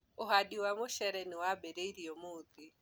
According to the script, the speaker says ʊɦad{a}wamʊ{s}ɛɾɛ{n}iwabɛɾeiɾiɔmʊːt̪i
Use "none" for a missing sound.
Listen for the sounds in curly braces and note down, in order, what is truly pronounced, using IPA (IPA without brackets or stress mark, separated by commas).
i, ʃ, n